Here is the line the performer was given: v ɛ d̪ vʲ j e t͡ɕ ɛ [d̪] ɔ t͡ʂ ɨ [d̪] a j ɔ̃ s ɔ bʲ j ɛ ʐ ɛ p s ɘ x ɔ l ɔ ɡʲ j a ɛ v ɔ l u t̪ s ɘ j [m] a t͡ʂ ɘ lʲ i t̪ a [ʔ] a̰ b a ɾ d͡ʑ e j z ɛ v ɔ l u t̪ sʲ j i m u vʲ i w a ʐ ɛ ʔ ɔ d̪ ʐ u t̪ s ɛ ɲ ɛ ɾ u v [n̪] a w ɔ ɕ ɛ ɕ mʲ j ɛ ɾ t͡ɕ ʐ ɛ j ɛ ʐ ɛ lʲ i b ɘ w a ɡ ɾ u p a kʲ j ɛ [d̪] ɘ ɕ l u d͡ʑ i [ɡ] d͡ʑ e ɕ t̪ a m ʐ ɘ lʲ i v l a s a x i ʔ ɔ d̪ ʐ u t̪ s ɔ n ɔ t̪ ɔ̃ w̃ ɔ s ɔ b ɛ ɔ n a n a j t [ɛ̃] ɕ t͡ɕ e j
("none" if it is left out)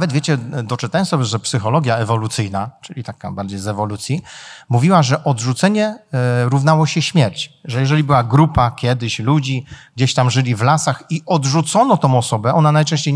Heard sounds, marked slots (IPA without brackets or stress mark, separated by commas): d̪, t̪, n, k, n̪, d̪, ɡ, ɛ̃